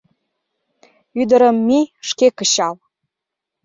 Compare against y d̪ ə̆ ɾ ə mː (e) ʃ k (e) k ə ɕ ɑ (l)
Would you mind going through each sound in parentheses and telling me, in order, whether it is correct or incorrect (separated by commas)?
incorrect, correct, correct